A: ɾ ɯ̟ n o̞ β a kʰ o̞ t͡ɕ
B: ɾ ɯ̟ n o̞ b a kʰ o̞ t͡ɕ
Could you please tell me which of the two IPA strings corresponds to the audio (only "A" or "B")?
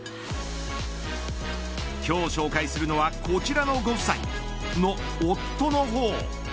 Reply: A